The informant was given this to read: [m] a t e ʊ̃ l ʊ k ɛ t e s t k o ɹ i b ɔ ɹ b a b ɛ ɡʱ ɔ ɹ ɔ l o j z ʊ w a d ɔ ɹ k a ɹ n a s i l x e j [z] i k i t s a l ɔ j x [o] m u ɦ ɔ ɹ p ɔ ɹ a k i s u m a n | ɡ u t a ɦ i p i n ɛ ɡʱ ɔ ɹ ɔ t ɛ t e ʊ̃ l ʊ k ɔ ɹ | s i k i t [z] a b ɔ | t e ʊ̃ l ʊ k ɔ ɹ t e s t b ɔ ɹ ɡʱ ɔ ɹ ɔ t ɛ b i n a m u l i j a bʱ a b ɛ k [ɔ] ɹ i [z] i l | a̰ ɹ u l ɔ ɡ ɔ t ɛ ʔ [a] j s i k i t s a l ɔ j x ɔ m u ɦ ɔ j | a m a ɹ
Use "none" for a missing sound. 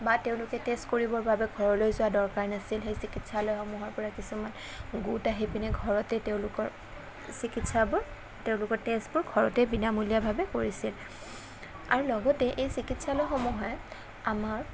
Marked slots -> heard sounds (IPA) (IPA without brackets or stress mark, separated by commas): b, s, ɔ, s, o, s, e